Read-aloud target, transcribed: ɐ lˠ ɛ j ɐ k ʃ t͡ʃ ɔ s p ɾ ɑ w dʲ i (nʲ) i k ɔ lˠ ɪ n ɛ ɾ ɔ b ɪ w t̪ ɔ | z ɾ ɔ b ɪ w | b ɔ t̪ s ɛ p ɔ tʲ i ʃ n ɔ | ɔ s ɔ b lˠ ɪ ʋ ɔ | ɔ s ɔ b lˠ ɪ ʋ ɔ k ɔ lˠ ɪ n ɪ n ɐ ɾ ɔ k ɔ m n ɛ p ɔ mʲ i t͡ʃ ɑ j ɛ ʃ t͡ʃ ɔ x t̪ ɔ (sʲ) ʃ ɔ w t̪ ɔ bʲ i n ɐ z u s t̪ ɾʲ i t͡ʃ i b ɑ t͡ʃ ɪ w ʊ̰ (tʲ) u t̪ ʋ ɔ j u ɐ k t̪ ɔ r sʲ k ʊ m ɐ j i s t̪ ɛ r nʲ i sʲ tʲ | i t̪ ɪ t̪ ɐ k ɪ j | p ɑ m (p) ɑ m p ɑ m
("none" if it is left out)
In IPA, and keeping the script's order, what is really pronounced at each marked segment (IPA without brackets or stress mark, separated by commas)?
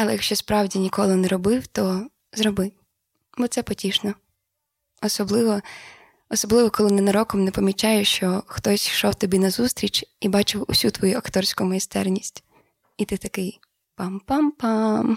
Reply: nʲ, sʲ, sʲ, p